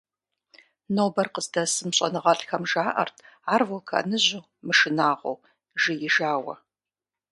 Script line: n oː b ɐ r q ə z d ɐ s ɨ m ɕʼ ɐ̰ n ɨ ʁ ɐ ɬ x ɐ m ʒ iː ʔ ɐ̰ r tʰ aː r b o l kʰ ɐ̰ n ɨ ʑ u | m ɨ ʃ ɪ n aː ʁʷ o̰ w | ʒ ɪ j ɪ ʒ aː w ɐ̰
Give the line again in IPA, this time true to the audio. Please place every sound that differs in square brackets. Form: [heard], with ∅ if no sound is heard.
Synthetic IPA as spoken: n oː b ɐ r q ə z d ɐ s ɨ m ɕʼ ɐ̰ n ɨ ʁ ɐ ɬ x ɐ m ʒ [aː] ʔ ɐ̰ r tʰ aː r [v] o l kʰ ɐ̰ n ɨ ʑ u | m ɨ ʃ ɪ n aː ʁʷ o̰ w | ʒ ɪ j ɪ ʒ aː w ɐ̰

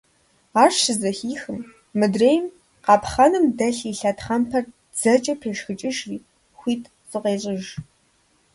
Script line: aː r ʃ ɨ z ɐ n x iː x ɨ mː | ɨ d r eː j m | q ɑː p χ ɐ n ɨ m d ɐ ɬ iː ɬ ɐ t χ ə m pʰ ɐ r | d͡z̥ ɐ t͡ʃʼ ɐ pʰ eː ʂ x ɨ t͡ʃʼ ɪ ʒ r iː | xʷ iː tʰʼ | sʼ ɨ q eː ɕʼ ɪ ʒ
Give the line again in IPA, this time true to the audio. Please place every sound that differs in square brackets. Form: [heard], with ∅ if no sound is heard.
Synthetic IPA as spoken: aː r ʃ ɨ z ɐ [∅] x iː x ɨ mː | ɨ d r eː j m | q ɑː p χ ɐ n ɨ m d ɐ ɬ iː ɬ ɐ t χ [ɐ] m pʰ ɐ r | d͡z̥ ɐ t͡ʃʼ ɐ pʰ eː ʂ x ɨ t͡ʃʼ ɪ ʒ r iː | xʷ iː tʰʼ | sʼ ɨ q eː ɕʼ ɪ ʒ

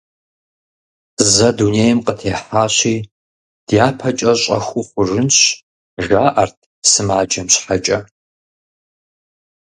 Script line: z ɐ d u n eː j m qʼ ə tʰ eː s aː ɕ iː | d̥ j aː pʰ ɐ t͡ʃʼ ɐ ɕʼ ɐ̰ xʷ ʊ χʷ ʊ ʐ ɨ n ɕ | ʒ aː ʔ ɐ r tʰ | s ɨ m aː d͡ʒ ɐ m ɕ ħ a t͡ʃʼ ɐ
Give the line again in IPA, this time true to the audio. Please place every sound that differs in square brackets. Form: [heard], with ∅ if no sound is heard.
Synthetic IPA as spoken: z ɐ d u n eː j m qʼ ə tʰ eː [ħ] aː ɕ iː | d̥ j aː pʰ ɐ t͡ʃʼ ɐ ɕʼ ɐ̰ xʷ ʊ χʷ ʊ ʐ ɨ n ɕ | ʒ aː ʔ ɐ r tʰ | s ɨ m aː d͡ʒ ɐ m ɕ ħ a t͡ʃʼ ɐ

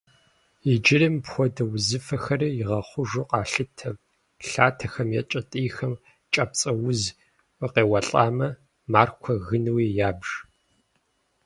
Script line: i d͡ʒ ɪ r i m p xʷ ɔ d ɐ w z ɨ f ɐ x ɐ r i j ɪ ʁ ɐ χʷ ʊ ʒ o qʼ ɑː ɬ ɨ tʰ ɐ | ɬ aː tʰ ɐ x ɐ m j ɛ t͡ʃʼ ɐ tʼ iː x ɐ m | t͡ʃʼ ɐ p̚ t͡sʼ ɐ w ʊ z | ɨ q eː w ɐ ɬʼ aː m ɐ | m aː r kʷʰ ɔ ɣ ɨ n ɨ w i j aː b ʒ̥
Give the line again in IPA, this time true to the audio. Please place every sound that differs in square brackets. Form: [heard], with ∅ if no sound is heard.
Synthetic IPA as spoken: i d͡ʒ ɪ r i m p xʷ ɔ d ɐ w z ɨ f ɐ x ɐ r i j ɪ ʁ ɐ χʷ ʊ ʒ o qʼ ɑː ɬ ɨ tʰ ɐ | ɬ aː tʰ ɐ x ɐ m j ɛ t͡ʃʼ ɐ tʼ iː x ɐ m | t͡ʃʼ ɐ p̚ t͡sʼ ɐ w ʊ z | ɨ q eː w ɐ ɬʼ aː m ɐ | m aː r kʷʰ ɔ ɣ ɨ n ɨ w i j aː b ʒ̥

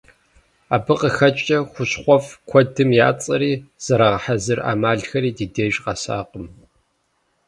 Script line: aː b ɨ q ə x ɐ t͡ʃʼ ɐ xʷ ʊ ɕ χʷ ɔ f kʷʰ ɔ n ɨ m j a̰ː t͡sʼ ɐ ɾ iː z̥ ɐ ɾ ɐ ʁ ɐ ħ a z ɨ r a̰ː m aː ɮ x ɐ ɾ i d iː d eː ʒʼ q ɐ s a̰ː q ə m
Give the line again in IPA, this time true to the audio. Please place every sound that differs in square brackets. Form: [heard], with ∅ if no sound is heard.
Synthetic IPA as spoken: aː b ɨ q ə x ɐ t͡ʃʼ ɐ xʷ ʊ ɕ χʷ ɔ f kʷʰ ɔ [d] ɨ m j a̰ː t͡sʼ ɐ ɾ iː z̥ ɐ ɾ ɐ ʁ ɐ ħ a z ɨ r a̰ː m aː ɮ x ɐ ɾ [iː] d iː d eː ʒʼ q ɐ s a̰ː q ə m

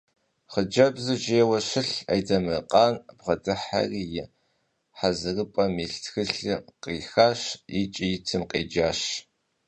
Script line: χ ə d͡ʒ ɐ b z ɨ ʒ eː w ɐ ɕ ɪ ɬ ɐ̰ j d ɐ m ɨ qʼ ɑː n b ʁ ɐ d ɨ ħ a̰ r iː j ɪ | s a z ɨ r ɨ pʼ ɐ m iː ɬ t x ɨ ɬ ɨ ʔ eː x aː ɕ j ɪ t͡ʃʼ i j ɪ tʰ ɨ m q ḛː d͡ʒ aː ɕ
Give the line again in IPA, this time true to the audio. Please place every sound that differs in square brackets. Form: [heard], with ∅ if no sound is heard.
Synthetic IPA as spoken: χ ə d͡ʒ ɐ b z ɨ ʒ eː w ɐ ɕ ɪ ɬ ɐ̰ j d ɐ m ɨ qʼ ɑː n b ʁ ɐ d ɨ ħ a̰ r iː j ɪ | [ħ] a z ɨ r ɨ pʼ ɐ m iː ɬ t x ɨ ɬ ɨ [q] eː x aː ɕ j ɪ t͡ʃʼ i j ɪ tʰ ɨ m q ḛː d͡ʒ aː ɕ

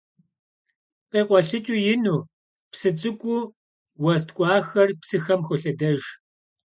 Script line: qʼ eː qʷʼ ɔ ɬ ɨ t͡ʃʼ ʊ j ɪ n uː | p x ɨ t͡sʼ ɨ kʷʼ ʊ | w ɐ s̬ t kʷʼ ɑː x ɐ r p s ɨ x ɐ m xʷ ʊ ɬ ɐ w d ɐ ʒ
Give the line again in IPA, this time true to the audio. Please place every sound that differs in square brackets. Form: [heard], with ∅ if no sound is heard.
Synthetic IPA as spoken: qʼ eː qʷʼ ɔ ɬ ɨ t͡ʃʼ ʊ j ɪ n uː | p [s] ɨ t͡sʼ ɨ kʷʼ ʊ | w ɐ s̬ t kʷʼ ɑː x ɐ r p s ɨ x ɐ m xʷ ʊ ɬ ɐ [∅] d ɐ ʒ

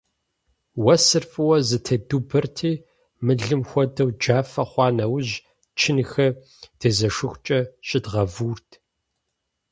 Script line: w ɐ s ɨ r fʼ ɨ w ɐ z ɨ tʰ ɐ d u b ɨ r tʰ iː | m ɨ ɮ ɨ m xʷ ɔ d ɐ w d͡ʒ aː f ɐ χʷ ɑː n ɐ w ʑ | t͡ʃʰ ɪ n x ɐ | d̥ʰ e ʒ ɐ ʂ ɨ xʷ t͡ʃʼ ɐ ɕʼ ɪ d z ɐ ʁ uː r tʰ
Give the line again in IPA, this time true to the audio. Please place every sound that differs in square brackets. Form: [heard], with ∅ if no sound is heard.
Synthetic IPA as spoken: w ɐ s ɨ r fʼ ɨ w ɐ z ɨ tʰ ɐ d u b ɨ r tʰ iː | m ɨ ɮ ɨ m xʷ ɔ d ɐ w d͡ʒ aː f ɐ χʷ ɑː n ɐ w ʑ | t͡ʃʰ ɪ n x ɐ | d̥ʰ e [z] ɐ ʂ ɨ xʷ t͡ʃʼ ɐ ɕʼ ɪ d [ʁ] ɐ [v] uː r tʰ

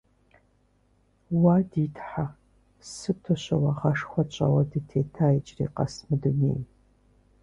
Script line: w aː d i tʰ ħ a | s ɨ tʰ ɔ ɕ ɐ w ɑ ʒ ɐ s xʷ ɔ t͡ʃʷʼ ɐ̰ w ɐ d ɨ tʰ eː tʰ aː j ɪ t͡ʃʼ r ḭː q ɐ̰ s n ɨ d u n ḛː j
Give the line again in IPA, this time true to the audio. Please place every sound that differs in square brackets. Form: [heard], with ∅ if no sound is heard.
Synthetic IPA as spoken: w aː d i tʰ ħ a | s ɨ tʰ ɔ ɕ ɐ w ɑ [ʁ] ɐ [ʂ] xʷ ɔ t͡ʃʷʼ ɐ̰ w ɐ d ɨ tʰ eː tʰ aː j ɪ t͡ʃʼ r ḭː q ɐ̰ s [m] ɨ d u n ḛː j

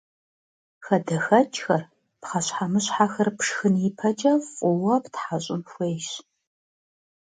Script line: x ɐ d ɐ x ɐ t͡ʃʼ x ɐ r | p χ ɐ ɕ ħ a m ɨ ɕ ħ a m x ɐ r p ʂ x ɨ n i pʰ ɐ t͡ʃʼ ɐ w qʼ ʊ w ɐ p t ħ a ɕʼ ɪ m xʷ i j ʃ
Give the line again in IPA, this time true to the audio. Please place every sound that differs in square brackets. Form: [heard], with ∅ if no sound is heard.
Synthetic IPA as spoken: x ɐ d ɐ x ɐ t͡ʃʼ x ɐ r | p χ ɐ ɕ ħ a m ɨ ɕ ħ a [∅] x ɐ r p ʂ x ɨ n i pʰ ɐ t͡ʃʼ ɐ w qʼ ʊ w ɐ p t ħ a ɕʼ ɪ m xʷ [e] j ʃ

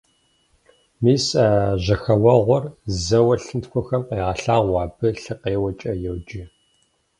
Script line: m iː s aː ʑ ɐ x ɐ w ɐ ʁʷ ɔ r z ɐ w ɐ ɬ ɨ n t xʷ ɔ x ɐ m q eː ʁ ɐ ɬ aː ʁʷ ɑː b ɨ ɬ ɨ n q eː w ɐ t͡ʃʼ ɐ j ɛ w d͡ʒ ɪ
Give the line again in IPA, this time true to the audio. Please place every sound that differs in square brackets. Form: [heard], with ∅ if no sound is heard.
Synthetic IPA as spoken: m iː s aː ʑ ɐ x ɐ w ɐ ʁʷ ɔ r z ɐ w ɐ ɬ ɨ n t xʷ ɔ x ɐ m q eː ʁ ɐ ɬ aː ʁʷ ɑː b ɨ ɬ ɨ [∅] q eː w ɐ t͡ʃʼ ɐ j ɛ w d͡ʒ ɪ

